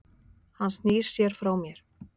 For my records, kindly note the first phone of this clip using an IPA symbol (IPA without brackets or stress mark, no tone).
h